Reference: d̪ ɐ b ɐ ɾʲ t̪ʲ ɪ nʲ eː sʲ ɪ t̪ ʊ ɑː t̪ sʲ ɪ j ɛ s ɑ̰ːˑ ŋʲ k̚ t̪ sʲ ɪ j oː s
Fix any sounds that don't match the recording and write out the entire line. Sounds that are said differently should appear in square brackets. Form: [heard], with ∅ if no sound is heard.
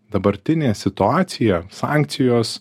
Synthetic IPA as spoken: d̪ ɐ b ɐ ɾʲ t̪ʲ ɪ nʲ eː sʲ ɪ t̪ ʊ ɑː t̪ sʲ ɪ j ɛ s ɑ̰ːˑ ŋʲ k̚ t̪ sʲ ɪ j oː s